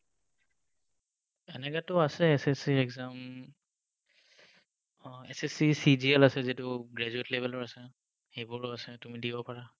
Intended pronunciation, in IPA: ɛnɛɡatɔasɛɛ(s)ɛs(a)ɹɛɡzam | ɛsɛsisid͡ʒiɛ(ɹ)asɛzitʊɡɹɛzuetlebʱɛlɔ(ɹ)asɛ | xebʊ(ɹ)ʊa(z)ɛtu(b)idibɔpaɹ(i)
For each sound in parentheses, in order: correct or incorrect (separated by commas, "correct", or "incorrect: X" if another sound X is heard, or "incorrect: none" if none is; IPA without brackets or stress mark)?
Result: correct, incorrect: i, incorrect: l, correct, correct, incorrect: s, incorrect: m, incorrect: a